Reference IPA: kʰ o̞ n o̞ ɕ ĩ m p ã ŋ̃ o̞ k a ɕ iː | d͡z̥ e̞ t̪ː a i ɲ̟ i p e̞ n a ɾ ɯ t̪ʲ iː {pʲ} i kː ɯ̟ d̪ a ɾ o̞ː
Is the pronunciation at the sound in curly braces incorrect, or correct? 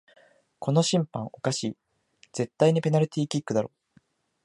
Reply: incorrect